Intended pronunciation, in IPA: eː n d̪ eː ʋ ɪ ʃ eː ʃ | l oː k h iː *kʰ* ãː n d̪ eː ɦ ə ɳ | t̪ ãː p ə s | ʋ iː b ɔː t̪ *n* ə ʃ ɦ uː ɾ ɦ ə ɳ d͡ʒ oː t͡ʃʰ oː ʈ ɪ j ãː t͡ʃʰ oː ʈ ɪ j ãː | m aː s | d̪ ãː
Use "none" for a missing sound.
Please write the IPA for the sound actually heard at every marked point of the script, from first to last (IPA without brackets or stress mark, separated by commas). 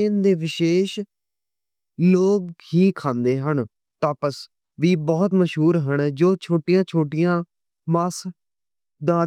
kʰ, m